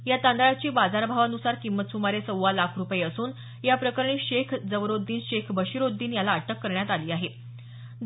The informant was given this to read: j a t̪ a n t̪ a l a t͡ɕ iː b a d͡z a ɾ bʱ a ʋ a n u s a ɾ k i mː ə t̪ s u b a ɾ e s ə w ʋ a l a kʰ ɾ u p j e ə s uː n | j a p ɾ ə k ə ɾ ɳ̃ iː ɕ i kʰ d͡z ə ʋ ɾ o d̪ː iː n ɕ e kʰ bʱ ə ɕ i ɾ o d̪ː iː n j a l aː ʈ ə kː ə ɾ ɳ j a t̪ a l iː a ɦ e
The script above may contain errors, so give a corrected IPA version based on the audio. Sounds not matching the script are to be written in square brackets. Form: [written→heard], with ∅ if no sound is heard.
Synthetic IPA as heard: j a t̪ a n [t̪→d̪] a [l→ɭ] a t͡ɕ iː b a d͡z a ɾ bʱ a ʋ a n u s a ɾ k i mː ə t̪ s u [b→m] a ɾ e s ə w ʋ a l a kʰ ɾ u p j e ə s uː n | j a p ɾ ə k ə ɾ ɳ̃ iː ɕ [i→e] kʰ d͡z ə ʋ ɾ o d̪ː iː n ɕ e kʰ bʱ ə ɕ i ɾ o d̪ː iː n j a l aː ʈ ə kː ə ɾ ɳ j a t̪ a l iː a ɦ e